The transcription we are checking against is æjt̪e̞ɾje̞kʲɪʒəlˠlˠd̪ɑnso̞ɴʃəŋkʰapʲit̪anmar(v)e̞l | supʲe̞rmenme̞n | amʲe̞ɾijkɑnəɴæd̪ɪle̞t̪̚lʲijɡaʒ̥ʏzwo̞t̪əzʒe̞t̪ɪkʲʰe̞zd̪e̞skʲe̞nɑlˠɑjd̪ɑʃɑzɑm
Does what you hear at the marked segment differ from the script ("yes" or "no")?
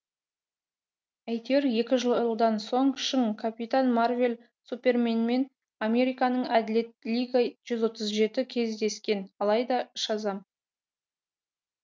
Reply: no